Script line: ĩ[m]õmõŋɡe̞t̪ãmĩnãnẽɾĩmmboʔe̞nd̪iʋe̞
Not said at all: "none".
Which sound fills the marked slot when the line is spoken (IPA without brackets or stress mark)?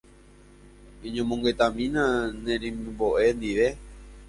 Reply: ɲ